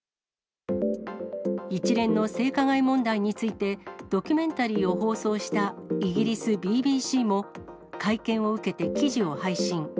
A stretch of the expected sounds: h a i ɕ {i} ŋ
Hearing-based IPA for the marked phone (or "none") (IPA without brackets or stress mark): ĩ